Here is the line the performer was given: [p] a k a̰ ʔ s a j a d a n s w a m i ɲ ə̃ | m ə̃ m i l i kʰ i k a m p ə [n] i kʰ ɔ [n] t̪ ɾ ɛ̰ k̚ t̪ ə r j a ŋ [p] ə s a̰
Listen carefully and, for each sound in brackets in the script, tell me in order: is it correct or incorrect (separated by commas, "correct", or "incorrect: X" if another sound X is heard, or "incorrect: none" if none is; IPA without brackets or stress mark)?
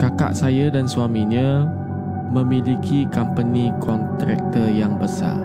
incorrect: k, correct, correct, incorrect: b